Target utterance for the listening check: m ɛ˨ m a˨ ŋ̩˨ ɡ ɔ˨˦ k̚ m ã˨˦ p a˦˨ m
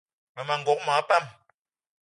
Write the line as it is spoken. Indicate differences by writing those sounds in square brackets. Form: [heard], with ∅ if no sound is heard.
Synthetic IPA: m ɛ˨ m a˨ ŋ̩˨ ɡ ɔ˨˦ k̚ m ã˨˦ p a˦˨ m

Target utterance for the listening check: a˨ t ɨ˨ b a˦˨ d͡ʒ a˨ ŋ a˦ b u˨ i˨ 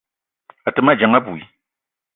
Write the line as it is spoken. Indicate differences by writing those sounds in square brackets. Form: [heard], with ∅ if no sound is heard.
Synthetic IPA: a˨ t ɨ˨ [m] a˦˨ d͡ʒ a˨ ŋ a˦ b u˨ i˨

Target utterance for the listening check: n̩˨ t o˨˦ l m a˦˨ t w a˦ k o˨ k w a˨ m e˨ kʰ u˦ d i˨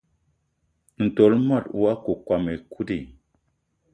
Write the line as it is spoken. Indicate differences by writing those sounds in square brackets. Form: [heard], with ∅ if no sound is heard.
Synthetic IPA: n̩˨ t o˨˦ l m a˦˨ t w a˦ k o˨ k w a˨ m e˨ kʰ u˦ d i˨

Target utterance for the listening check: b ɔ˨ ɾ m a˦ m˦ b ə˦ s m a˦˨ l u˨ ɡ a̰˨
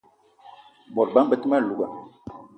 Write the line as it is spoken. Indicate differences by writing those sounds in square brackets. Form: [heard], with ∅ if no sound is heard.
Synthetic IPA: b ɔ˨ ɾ [b] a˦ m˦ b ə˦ [t] m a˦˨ l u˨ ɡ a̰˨

